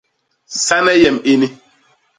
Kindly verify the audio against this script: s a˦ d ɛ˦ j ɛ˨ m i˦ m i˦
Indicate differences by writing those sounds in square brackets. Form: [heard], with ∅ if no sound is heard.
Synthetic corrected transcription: s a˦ [n] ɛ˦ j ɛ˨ m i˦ [n] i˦